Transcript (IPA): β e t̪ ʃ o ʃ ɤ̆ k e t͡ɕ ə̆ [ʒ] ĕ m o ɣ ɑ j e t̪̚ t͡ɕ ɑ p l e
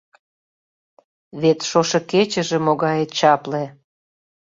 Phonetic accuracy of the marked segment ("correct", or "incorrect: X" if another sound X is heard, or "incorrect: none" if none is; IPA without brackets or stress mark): correct